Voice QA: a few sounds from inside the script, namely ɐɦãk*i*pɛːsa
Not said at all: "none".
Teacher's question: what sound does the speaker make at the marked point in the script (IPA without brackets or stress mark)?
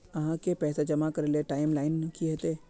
e